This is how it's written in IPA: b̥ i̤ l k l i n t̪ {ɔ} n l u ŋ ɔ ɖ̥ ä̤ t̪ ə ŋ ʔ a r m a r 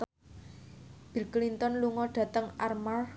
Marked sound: correct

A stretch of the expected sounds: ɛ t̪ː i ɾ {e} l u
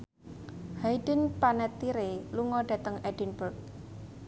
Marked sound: correct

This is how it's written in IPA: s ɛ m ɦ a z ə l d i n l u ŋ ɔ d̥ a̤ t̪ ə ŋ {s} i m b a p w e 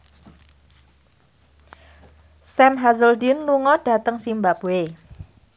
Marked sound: correct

